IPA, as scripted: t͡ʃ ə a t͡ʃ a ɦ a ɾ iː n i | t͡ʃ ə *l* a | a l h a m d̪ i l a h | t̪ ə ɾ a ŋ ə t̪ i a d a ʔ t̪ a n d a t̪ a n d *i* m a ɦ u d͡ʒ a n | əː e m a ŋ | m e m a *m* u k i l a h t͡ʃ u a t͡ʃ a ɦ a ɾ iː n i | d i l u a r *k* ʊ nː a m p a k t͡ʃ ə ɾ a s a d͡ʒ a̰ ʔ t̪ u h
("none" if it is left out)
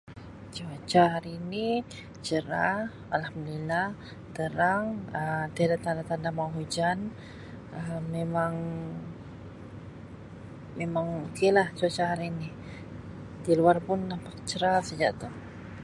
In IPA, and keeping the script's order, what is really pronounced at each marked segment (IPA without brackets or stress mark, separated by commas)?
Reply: ɾ, a, ŋ, p